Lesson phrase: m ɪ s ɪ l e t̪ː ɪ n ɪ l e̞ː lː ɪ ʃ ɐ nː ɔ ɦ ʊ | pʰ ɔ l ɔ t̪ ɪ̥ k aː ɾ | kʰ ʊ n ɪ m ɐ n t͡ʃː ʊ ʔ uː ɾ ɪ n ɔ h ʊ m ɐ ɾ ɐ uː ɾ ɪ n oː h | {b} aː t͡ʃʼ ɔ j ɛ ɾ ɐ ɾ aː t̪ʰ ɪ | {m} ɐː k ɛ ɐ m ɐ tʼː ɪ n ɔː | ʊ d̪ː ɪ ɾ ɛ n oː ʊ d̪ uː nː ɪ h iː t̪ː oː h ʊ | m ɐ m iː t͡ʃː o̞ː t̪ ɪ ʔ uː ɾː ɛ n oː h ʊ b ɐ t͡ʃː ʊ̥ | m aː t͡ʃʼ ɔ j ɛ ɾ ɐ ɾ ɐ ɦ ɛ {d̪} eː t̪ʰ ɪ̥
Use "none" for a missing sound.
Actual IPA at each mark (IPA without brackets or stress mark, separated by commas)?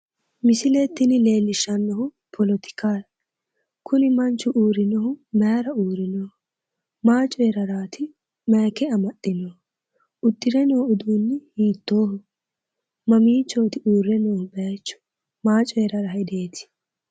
m, m, d̪